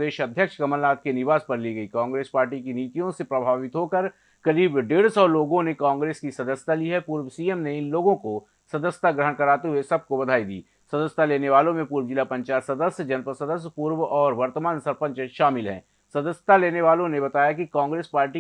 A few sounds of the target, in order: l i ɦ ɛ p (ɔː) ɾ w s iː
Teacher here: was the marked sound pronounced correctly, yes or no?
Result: no